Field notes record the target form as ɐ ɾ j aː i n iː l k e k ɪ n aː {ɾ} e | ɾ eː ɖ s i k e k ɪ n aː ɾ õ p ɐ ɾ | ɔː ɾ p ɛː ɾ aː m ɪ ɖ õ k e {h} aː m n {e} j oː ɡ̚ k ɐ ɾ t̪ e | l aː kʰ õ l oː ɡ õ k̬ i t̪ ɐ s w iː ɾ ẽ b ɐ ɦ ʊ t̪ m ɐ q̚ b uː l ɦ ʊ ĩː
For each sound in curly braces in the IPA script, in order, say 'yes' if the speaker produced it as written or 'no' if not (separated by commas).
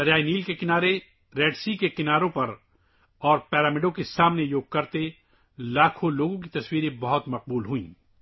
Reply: yes, no, yes